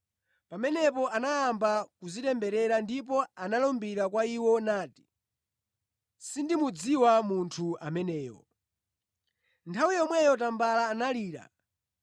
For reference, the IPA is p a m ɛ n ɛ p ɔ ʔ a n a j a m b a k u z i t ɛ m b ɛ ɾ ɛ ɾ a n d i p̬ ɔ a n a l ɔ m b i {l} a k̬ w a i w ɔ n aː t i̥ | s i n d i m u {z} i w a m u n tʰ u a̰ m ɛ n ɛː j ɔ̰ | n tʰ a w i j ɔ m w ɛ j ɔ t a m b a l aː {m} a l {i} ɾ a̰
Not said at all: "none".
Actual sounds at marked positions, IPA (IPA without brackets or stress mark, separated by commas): ɾ, d͡z, n, iː